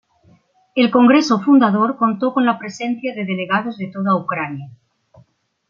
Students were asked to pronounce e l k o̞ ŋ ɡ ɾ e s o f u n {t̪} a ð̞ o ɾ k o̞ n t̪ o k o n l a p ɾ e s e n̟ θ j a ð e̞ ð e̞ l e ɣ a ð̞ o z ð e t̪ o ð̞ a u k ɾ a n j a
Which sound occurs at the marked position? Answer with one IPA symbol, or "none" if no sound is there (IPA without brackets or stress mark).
d̪